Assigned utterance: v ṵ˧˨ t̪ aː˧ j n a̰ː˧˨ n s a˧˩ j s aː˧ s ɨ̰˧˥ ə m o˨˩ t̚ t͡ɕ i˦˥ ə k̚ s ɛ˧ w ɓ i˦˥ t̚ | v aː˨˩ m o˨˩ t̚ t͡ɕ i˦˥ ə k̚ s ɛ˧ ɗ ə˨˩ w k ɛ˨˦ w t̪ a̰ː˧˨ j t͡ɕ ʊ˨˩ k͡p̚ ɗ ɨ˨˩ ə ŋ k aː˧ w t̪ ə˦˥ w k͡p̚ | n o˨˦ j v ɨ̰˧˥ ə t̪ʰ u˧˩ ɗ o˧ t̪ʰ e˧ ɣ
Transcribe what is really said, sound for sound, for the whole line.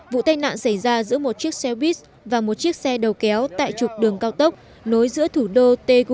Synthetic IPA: v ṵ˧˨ t̪ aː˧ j n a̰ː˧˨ n s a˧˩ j z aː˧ z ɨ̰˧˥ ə m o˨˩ t̚ t͡ɕ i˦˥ ə k̚ s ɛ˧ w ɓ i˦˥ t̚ | v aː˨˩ m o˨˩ t̚ t͡ɕ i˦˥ ə k̚ s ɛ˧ ɗ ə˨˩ w k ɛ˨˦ w t̪ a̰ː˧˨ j t͡ɕ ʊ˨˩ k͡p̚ ɗ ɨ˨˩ ə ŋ k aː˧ w t̪ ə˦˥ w k͡p̚ | n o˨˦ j z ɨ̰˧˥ ə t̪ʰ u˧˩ ɗ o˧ t̪ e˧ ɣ